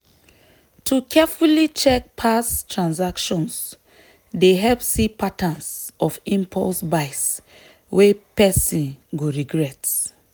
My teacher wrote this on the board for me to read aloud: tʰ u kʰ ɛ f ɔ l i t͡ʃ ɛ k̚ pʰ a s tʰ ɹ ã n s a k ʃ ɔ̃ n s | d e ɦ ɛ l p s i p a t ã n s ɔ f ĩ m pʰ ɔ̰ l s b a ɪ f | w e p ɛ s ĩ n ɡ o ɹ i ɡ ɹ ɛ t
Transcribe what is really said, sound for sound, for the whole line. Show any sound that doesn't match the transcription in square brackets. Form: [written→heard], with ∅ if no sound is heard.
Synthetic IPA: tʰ u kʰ ɛ f [ɔ→u] l i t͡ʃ ɛ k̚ pʰ a s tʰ ɹ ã n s a k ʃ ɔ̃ n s | d e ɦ ɛ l p s i p a t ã n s ɔ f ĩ m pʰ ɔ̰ l s b a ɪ [f→s] | w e p ɛ s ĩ n ɡ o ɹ i ɡ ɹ ɛ t